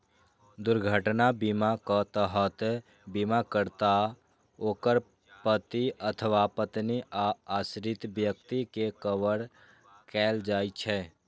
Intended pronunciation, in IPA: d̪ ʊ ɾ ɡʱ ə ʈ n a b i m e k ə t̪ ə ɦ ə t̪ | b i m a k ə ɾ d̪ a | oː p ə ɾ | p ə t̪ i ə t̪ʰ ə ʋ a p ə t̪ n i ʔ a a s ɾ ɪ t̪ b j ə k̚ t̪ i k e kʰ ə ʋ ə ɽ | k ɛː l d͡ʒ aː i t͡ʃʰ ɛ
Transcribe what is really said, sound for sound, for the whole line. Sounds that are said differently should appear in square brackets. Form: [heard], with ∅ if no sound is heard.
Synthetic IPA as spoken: d̪ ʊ ɾ ɡʱ ə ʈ n a b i m [a] k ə t̪ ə ɦ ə t̪ | b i m a k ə ɾ [t̪] a | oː [k] ə ɾ | p ə t̪ i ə t̪ʰ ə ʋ a p ə t̪ n i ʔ a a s ɾ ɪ t̪ b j ə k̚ t̪ i k e [k] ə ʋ ə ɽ | k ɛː l d͡ʒ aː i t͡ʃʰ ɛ